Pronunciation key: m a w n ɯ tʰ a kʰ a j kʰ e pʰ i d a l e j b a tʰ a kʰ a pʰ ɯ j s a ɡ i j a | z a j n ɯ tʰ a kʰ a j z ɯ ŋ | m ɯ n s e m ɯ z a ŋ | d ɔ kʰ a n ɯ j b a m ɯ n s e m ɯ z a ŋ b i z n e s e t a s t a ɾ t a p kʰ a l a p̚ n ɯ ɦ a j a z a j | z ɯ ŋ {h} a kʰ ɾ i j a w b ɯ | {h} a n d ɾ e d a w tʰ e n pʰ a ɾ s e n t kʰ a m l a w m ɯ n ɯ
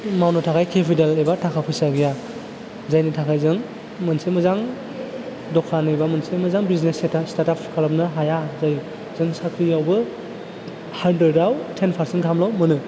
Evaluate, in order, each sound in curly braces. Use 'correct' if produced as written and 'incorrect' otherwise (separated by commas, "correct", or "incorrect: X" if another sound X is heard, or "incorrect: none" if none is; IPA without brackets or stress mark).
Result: incorrect: s, correct